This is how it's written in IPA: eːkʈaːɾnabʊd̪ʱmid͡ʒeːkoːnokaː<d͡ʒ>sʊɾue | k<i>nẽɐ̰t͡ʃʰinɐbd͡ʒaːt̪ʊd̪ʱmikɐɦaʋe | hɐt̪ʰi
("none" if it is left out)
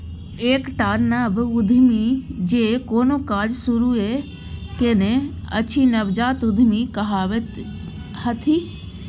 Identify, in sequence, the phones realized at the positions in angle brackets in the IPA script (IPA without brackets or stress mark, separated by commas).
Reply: d͡ʒ, e